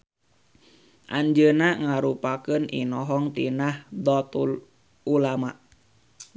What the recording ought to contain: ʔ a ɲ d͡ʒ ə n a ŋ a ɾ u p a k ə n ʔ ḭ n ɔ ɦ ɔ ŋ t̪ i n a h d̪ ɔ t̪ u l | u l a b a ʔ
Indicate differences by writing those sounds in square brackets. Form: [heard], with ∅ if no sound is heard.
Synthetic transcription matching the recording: ʔ a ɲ d͡ʒ ə n a ŋ a ɾ u p a k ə n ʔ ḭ n ɔ ɦ ɔ ŋ t̪ i n a h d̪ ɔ t̪ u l | u l a [m] a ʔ